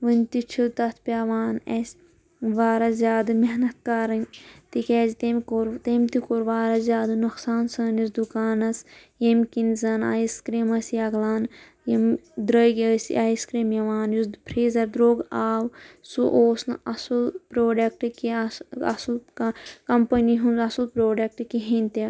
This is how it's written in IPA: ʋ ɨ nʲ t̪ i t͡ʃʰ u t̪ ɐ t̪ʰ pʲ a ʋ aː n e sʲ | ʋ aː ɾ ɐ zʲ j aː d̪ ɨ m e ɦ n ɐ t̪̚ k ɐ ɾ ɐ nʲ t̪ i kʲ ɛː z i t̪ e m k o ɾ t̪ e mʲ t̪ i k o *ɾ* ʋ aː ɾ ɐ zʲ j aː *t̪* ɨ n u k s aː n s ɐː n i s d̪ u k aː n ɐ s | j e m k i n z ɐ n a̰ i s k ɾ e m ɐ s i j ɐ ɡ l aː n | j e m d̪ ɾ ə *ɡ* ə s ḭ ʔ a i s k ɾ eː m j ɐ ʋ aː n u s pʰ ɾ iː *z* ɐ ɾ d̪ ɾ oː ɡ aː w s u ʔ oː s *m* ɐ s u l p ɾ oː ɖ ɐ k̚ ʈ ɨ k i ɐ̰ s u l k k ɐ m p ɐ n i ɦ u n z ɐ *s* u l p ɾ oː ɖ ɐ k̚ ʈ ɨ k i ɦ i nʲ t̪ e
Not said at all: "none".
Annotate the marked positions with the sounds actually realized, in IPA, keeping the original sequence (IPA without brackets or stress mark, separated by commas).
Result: ɾ, d̪, ɡ, z, n, s